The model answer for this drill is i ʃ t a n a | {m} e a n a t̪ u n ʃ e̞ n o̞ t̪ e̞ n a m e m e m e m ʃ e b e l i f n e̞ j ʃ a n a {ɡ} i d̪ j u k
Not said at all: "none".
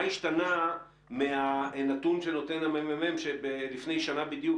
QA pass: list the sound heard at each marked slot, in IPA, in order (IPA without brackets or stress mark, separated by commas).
m, b